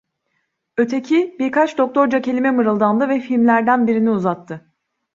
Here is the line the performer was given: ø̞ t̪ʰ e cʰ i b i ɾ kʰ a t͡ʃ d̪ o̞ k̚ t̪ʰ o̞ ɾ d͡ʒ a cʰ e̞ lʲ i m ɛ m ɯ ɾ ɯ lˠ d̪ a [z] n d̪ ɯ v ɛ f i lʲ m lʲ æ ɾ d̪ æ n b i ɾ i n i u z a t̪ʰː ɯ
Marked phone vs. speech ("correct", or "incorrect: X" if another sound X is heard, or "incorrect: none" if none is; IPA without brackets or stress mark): incorrect: none